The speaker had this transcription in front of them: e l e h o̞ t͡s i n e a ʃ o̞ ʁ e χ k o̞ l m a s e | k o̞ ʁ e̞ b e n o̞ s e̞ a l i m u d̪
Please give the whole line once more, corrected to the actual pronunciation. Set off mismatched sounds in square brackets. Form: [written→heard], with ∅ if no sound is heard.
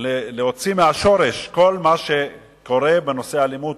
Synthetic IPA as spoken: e l e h o̞ t͡s i [n→m] e a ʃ o̞ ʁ e [χ→ʃ] k o̞ l m a [s→ʃ] e | k o̞ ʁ e̞ b e n o̞ s e̞ a l i m u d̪